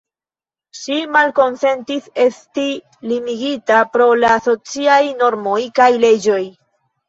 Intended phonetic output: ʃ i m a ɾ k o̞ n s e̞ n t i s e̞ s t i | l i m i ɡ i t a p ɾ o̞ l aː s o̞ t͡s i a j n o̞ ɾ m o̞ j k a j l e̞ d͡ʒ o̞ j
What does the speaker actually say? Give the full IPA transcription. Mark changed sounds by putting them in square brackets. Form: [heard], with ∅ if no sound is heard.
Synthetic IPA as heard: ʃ i m a [l] k o̞ n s e̞ n t i s e̞ s t i | l i m i ɡ i t a p ɾ o̞ l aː s o̞ t͡s i a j n o̞ ɾ m o̞ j k a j l e̞ d͡ʒ o̞ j

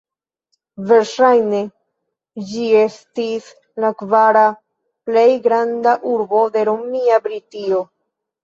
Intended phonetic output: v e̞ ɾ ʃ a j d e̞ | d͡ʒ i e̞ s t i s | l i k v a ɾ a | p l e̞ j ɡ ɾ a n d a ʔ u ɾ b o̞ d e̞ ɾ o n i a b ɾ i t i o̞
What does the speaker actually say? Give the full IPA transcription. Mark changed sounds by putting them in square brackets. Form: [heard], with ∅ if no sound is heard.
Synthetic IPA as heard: v e̞ ɾ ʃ a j [n] e̞ | d͡ʒ i e̞ s t i s | l [a] k v a ɾ a | p l e̞ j ɡ ɾ a n d a ʔ u ɾ b o̞ d e̞ ɾ o [m] i a b ɾ i t i o̞

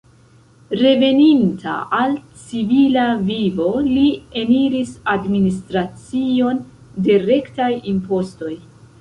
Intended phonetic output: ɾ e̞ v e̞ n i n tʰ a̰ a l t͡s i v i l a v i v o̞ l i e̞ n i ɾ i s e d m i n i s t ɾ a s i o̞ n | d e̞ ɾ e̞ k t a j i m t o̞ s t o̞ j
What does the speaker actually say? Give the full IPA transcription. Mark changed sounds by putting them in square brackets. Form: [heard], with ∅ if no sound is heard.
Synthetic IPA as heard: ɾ e̞ v e̞ n i n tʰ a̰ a l t͡s i v i l a v i v o̞ l i e̞ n i ɾ i s [a] d m i n i s t ɾ a [t͡s] i o̞ n | d e̞ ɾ e̞ k t a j i m [p] o̞ s t o̞ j

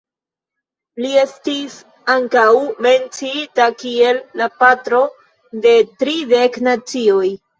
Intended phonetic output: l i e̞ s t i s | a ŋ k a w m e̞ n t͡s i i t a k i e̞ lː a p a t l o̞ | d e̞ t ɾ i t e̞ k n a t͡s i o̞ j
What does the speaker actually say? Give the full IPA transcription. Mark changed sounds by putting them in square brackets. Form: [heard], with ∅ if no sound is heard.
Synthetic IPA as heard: l i e̞ s t i s | a ŋ k a w m e̞ n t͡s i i t a k i e̞ lː a p a t [ɾ] o̞ | d e̞ t ɾ i [d] e̞ k n a t͡s i o̞ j

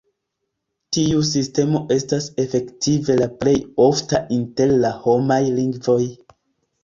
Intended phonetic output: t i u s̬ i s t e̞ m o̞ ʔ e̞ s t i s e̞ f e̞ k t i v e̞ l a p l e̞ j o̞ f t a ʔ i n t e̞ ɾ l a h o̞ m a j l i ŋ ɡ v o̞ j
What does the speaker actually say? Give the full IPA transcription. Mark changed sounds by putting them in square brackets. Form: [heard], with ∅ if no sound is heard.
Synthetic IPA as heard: t i u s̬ i s t e̞ m o̞ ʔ e̞ s t [a] s e̞ f e̞ k t i v e̞ l a p l e̞ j o̞ f t a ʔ i n t e̞ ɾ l a h o̞ m a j l i ŋ ɡ v o̞ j

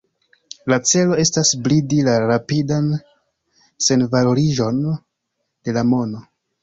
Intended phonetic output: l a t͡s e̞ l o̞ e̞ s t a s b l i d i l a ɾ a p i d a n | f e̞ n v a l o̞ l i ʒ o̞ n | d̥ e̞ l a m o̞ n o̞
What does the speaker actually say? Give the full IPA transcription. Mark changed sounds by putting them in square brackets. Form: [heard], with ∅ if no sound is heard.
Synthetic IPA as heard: l a t͡s e̞ l o̞ e̞ s t a s b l i d i l a ɾ a p i d a n | [s] e̞ n v a l o̞ [ɾ] i ʒ o̞ n | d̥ e̞ l a m o̞ n o̞

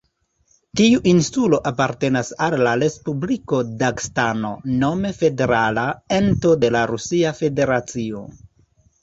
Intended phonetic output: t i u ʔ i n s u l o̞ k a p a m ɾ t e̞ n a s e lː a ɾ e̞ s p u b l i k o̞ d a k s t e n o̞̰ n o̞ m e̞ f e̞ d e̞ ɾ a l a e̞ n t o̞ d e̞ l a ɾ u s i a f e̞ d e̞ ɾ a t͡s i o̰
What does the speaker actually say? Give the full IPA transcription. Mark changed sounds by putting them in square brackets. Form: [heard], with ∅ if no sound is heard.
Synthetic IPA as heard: t i u ʔ i n s u l o̞ [ʔ] a p a [∅] ɾ t e̞ n a s [a] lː a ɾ e̞ s p u b l i k o̞ d a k s t [a] n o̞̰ n o̞ m e̞ f e̞ d e̞ ɾ a l a e̞ n t o̞ d e̞ l a ɾ u s i a f e̞ d e̞ ɾ a t͡s i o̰

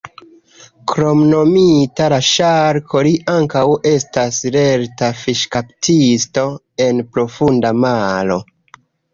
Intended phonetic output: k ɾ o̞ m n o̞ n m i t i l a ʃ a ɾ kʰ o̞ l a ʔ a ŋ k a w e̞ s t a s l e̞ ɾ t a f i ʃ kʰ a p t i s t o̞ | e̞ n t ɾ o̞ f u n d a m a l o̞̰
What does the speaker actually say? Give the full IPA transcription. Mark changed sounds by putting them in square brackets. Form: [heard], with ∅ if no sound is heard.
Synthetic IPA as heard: k ɾ o̞ m n o̞ [∅] m i t [a] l a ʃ a ɾ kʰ o̞ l [i] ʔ a ŋ k a w e̞ s t a s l e̞ ɾ t a f i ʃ [k] a p t i s t o̞ | e̞ n [p] ɾ o̞ f u n d a m a l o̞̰

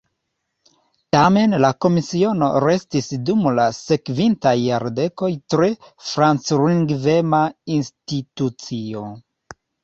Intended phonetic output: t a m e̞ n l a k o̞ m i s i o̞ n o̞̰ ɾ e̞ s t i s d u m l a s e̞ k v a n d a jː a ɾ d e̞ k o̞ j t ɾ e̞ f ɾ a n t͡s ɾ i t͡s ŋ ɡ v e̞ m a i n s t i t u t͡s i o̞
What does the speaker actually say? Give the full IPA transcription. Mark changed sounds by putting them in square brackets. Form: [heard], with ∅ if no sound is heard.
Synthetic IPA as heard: t a m e̞ n l a k o̞ m i s i o̞ n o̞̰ ɾ e̞ s t i s d u m l a s e̞ k v [i] n [t] a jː a ɾ d e̞ k o̞ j t ɾ e̞ f ɾ a n t͡s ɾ i [∅] ŋ ɡ v e̞ m a i n s t i t u t͡s i o̞

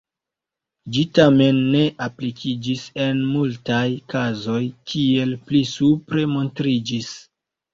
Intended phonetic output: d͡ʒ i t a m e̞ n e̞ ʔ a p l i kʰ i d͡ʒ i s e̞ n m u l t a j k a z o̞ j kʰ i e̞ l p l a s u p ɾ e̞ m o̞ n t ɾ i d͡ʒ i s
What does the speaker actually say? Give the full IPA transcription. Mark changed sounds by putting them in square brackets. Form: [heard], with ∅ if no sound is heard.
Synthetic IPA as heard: d͡ʒ i t a m e̞ [nː] e̞ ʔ a p l i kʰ i d͡ʒ i s e̞ n m u l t a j k a z o̞ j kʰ i e̞ l p l [i] s u p ɾ e̞ m o̞ n t ɾ i d͡ʒ i s

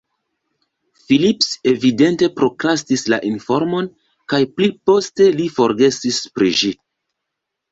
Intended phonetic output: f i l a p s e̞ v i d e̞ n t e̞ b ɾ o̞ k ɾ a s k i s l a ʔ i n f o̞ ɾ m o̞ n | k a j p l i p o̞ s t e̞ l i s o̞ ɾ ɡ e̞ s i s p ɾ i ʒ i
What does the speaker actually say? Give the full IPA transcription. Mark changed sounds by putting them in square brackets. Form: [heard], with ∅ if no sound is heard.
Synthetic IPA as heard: f i l [i] p s e̞ v i d e̞ n t e̞ [p] ɾ o̞ k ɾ a s [t] i s l a ʔ i n f o̞ ɾ m o̞ n | k a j p l i p o̞ s t e̞ l i [f] o̞ ɾ ɡ e̞ s i s p ɾ i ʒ i

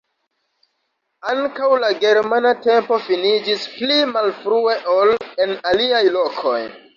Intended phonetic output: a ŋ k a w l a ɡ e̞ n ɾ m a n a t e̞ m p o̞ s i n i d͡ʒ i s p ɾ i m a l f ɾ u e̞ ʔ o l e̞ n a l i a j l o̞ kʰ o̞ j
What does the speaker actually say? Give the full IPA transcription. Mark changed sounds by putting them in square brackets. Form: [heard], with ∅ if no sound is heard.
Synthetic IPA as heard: a ŋ k a w l a ɡ e̞ [∅] ɾ m a n a t e̞ m p o̞ [f] i n i d͡ʒ i s p [l] i m a l f ɾ u e̞ ʔ o l e̞ n a l i a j l o̞ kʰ o̞ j

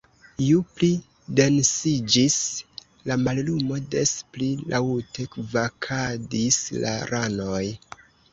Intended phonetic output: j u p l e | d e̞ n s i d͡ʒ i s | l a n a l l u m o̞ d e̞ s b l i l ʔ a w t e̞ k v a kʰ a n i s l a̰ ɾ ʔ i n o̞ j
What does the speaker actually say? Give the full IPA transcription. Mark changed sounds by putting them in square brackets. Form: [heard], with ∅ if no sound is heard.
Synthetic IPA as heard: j u p l [i] | d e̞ n s i d͡ʒ i s | l a [m] a l l u m o̞ d e̞ s [p] l i l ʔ a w t e̞ k v a kʰ a [d] i s l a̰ ɾ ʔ [a] n o̞ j

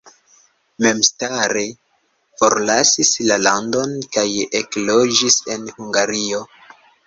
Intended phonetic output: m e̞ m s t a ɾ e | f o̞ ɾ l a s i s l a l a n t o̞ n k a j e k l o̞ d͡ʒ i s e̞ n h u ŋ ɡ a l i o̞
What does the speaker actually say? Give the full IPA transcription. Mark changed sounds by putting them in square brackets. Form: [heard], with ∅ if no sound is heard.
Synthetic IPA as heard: m e̞ m s t a ɾ e | f o̞ ɾ l a s i s l a l a n [d] o̞ n k a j e k l o̞ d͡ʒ i s e̞ n h u ŋ ɡ a [ɾ] i o̞

